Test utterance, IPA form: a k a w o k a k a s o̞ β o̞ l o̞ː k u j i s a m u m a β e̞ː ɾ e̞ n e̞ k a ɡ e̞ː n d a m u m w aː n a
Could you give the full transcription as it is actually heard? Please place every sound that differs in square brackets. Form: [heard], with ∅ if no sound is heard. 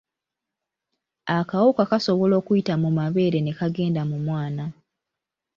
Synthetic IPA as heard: a k a w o k a k a s o̞ β o̞ l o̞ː k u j i [t] a m u m a β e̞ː ɾ e̞ n e̞ k a ɡ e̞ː n d a m u m w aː n a